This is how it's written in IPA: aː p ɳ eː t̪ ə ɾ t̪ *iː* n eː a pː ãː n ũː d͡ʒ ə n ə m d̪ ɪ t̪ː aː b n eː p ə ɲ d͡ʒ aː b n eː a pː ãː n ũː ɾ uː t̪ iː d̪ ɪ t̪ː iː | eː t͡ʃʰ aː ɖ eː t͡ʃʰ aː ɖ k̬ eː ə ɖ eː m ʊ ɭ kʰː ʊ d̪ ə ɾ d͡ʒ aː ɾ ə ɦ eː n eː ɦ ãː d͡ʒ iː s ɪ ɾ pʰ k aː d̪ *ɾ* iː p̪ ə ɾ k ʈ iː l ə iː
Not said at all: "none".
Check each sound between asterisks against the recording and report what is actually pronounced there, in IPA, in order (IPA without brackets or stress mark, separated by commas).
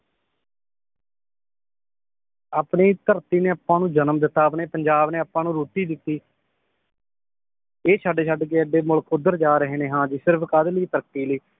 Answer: iː, l